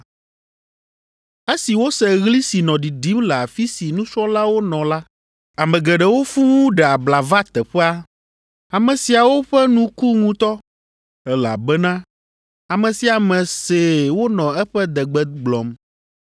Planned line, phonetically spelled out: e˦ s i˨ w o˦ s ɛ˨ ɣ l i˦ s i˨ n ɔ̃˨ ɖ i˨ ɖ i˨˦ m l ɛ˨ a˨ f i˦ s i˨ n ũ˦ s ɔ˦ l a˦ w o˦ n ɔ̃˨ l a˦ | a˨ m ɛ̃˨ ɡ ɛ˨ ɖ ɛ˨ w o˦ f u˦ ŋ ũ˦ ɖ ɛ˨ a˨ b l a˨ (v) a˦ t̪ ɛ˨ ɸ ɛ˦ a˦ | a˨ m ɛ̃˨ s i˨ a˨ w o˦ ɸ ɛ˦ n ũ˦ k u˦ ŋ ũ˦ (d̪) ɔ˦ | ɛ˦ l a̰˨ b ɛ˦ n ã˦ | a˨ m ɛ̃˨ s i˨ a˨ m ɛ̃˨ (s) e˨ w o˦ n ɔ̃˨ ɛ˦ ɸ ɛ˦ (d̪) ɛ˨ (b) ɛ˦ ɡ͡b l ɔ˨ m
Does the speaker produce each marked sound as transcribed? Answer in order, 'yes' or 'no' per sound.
yes, no, yes, yes, no

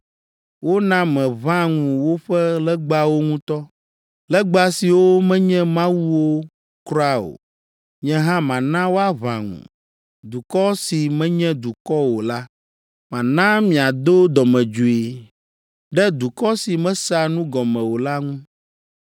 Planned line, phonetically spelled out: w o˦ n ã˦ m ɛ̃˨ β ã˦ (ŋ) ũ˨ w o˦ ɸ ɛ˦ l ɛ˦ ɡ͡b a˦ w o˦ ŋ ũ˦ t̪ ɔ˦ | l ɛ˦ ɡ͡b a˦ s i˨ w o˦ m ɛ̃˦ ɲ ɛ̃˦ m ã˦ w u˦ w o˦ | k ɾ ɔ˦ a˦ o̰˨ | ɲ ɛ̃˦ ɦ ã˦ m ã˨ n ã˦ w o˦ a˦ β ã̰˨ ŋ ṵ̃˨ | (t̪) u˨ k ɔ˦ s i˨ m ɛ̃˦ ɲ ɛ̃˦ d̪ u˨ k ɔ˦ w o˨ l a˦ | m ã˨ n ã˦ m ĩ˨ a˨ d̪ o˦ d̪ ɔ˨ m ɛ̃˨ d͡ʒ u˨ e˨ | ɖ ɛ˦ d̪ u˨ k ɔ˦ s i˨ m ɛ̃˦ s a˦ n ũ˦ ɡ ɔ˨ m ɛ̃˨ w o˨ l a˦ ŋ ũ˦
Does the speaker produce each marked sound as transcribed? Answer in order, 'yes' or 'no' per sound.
yes, no

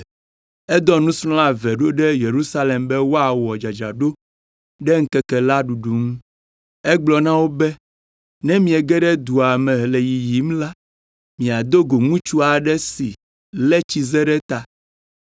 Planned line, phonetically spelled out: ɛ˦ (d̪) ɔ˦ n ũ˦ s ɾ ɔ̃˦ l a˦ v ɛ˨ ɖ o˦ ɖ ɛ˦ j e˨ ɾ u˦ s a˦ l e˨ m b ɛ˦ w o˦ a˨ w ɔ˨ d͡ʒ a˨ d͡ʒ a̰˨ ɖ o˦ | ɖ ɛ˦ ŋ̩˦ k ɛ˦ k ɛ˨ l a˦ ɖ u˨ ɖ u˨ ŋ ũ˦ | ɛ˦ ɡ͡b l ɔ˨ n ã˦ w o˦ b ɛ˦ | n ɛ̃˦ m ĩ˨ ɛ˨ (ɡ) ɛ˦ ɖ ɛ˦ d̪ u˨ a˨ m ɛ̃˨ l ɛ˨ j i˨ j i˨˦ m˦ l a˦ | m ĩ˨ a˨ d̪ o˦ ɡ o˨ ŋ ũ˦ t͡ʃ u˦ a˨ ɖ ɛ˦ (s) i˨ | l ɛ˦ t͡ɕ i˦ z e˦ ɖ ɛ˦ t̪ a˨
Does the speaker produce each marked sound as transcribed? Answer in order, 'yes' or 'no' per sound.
yes, yes, yes

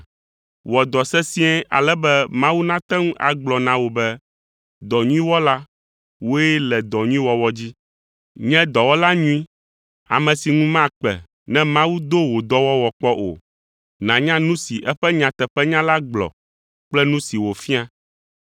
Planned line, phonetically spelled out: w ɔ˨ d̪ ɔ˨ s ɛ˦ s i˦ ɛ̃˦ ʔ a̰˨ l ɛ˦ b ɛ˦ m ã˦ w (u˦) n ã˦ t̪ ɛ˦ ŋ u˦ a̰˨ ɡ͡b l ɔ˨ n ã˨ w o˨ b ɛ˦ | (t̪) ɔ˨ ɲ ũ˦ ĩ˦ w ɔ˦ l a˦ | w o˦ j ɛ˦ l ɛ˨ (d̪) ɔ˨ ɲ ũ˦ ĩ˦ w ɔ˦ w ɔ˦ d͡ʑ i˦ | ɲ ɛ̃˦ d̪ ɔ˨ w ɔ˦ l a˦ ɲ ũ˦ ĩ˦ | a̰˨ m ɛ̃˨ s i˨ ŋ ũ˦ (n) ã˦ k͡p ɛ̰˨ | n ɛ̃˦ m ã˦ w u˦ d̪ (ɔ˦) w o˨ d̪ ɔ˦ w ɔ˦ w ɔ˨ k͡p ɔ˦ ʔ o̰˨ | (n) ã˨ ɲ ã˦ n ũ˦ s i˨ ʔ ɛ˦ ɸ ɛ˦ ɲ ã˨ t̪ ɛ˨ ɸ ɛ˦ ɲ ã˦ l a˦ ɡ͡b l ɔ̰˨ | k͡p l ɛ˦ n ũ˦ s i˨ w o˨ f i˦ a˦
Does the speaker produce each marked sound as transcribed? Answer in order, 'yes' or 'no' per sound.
yes, no, yes, no, no, yes

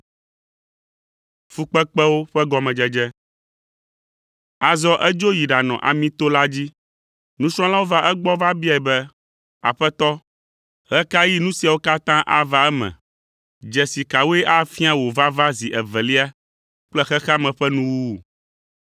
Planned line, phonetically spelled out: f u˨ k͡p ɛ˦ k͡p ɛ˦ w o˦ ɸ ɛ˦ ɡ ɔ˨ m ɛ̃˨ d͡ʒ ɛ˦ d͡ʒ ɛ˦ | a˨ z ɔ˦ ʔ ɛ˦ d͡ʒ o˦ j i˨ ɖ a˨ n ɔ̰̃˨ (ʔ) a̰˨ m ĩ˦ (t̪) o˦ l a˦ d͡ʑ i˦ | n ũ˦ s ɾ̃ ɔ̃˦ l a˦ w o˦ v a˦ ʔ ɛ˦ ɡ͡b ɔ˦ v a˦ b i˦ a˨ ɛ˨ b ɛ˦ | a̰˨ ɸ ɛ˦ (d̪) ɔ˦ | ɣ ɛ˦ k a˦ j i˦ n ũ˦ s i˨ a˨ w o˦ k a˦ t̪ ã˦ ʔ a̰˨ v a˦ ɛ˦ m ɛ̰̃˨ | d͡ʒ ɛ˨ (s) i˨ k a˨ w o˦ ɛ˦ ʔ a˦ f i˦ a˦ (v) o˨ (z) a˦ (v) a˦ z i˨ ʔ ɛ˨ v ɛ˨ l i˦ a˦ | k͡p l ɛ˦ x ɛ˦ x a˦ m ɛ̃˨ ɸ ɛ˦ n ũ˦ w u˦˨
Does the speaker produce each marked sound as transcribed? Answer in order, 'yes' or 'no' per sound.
yes, yes, no, yes, no, no, yes

